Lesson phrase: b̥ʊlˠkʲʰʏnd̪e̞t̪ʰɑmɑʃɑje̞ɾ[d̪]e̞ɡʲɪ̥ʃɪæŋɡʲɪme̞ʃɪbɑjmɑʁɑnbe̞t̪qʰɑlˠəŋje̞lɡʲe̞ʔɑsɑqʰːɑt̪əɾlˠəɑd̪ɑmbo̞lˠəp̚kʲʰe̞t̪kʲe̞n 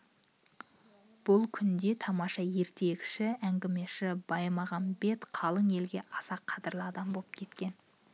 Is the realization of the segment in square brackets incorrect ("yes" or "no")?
yes